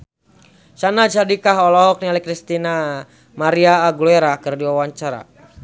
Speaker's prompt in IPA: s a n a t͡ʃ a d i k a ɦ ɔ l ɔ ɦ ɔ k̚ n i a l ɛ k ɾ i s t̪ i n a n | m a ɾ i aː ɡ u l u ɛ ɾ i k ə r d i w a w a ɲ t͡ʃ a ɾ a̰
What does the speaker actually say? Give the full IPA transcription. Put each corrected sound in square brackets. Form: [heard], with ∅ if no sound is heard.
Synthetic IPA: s a n a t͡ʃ a d i k a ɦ ɔ l ɔ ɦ ɔ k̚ n i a l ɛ k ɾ i s t̪ i n a [∅] | m a ɾ i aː ɡ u l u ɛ ɾ [a] k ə r d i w a w a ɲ t͡ʃ a ɾ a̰